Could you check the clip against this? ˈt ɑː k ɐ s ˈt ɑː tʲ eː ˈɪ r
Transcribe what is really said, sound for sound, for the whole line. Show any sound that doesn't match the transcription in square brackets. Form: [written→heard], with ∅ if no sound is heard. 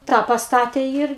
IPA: ˈt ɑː [k→p] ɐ s ˈt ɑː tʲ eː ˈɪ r